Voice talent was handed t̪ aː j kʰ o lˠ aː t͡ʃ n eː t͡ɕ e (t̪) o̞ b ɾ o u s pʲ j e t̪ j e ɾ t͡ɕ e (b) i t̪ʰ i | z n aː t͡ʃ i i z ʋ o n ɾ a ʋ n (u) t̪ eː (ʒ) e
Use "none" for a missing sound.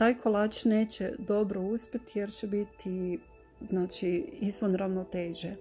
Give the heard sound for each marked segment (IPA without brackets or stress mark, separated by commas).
d̪, b, o, ʒ